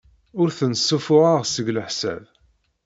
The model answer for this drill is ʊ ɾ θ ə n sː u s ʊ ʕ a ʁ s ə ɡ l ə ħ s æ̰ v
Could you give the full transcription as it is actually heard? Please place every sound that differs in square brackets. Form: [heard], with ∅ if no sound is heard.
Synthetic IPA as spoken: ʊ ɾ θ ə n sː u [f] ʊ [ʁ] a ʁ s ə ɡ l ə ħ s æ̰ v